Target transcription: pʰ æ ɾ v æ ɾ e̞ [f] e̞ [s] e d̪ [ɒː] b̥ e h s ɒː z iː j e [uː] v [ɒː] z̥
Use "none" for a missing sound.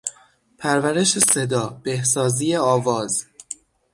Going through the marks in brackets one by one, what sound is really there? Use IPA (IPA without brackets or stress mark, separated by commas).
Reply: ʃ, s, ɒː, ɒː, ɒː